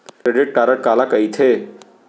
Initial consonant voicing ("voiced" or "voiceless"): voiceless